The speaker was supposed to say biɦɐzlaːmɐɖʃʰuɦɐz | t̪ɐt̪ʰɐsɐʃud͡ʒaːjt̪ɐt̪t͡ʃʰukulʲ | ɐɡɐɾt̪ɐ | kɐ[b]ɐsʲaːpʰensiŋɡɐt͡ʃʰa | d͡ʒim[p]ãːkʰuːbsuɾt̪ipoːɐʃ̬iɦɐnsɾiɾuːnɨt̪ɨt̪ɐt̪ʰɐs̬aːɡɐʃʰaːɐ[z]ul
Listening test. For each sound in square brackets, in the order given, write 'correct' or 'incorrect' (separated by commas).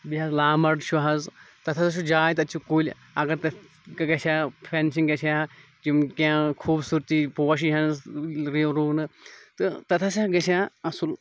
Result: incorrect, incorrect, incorrect